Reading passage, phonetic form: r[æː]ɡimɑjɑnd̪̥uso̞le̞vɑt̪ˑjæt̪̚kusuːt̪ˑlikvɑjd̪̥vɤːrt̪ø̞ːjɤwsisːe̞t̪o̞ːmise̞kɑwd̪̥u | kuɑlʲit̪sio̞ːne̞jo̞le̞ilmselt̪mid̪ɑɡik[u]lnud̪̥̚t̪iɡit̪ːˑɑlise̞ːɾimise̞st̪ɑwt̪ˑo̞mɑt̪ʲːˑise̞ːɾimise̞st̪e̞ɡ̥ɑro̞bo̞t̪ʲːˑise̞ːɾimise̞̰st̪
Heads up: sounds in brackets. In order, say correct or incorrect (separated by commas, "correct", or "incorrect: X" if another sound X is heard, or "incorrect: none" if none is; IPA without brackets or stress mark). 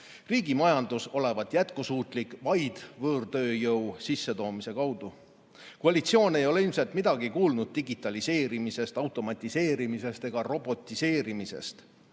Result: incorrect: iː, incorrect: uː